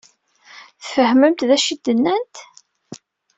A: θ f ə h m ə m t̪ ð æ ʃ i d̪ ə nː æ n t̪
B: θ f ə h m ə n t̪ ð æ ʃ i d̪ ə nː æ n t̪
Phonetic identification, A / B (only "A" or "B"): A